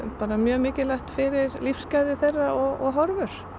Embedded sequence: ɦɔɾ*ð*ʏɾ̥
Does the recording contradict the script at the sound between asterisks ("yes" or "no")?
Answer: yes